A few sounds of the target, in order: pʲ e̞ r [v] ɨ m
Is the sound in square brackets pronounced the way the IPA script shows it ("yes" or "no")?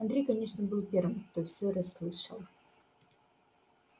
yes